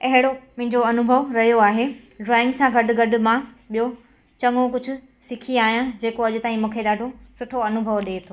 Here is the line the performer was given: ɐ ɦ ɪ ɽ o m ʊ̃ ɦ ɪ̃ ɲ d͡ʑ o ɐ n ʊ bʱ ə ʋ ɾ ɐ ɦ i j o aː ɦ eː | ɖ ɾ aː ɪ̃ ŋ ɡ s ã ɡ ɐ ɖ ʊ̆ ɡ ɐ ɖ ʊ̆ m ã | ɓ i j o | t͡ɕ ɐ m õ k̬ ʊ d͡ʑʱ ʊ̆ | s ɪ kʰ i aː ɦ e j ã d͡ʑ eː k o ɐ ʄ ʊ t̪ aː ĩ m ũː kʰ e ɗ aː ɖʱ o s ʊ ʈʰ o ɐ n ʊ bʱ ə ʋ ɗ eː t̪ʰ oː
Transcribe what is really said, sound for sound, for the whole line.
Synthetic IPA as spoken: ɐ ɦ ɪ ɽ o m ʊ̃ ɦ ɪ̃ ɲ d͡ʑ o ɐ n ʊ bʱ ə ʋ ɾ ɐ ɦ i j o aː ɦ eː | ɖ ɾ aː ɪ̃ ŋ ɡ s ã ɡ ɐ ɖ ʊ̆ ɡ ɐ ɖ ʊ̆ m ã | ɓ i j o | t͡ɕ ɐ ŋ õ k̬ ʊ d͡ʑʱ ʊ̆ | s ɪ kʰ i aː ɦ i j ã d͡ʑ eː k o ɐ ʄ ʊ t̪ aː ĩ m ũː kʰ e ɗ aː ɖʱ o s ʊ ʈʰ o ɐ n ʊ bʱ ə ʋ ɗ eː t̪ʰ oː